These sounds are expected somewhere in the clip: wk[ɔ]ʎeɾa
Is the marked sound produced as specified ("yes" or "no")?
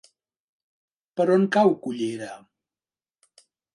no